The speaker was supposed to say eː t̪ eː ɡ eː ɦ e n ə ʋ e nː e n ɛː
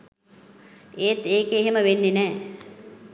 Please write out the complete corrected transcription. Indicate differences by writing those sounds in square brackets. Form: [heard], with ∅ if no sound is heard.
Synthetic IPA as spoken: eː t̪ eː [k] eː ɦ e [m] ə ʋ e nː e n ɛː